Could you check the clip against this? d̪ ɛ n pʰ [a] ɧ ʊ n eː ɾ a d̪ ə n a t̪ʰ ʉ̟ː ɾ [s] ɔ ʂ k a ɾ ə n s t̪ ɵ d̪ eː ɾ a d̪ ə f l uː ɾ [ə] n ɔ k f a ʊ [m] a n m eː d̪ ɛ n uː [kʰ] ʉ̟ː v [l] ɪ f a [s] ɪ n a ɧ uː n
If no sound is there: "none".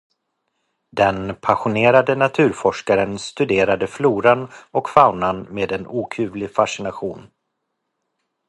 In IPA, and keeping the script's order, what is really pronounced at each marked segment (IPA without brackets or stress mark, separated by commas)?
a, f, a, n, kʰ, l, ʂ